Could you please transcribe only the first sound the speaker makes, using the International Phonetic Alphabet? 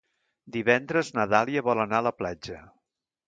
d̪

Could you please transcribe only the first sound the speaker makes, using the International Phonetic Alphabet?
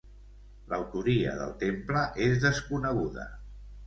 l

